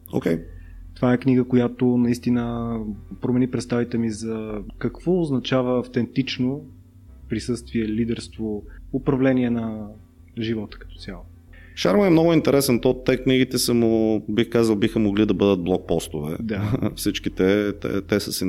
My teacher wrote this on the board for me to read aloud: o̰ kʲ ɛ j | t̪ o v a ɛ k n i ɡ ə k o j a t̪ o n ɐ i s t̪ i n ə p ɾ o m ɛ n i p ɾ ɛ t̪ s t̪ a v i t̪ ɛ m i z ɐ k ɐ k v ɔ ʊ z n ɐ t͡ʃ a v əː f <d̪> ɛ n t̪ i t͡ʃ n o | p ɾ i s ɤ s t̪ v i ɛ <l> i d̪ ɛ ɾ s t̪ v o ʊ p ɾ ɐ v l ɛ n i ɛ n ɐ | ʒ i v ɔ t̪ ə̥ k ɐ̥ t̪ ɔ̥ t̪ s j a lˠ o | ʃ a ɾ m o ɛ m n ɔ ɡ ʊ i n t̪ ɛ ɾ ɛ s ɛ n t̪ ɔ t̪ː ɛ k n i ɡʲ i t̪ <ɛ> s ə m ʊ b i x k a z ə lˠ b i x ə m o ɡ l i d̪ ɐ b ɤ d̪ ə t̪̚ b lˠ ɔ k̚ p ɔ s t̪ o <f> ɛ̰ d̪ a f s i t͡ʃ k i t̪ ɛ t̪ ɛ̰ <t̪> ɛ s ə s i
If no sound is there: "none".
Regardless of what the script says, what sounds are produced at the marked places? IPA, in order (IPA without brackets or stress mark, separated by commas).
t̪, l, ɛ, v, t̪